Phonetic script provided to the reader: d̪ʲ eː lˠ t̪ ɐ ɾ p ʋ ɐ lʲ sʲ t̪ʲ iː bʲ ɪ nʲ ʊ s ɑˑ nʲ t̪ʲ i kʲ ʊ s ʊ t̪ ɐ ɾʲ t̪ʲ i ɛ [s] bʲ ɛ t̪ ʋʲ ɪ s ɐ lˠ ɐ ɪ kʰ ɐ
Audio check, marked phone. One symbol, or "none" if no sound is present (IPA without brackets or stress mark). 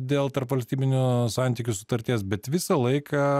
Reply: s